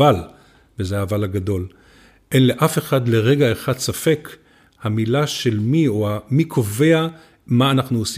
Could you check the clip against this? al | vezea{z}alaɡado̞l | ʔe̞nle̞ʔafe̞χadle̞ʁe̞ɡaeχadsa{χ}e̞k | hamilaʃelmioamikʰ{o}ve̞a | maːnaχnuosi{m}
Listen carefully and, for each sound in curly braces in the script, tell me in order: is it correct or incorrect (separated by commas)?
incorrect, incorrect, correct, incorrect